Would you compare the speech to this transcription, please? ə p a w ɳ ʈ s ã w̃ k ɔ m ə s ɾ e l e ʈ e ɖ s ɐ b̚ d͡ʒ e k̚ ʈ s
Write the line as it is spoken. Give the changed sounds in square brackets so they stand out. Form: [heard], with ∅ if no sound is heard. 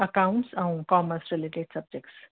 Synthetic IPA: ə [k] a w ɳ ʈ s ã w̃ k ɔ m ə s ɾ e l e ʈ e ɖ s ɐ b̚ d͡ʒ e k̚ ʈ s